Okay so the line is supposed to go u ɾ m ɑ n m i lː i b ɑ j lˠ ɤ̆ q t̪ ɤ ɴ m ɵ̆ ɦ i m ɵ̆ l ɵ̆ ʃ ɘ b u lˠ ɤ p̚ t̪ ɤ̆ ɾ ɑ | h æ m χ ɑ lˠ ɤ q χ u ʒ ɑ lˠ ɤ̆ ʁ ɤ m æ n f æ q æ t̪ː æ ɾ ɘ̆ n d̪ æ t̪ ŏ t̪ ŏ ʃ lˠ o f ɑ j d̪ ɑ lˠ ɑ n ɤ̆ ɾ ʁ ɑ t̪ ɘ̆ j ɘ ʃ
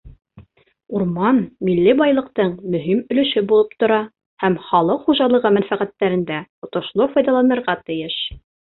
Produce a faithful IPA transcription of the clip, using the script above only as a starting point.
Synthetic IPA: u ɾ m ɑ n m i lː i b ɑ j lˠ ɤ̆ q t̪ ɤ ɴ m ɵ̆ ɦ i m ɵ̆ l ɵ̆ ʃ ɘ b u lˠ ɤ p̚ t̪ ŏ ɾ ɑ | h æ m χ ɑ lˠ ɤ q χ u ʒ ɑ lˠ ɤ̆ ʁ ɤ m æ n f æ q æ t̪ː æ ɾ ɘ̆ n d̪ æ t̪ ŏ t̪ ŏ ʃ lˠ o f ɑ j d̪ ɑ lˠ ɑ n ɤ̆ ɾ ʁ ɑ t̪ ɘ̆ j ɘ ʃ